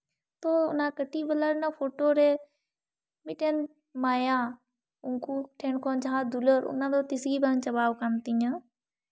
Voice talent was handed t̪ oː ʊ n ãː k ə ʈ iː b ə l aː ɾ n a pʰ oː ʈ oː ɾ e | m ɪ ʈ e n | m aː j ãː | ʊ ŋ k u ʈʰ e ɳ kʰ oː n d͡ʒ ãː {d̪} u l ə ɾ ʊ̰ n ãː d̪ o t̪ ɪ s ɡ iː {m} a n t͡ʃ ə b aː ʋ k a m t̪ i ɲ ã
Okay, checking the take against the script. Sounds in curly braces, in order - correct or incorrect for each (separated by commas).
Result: correct, incorrect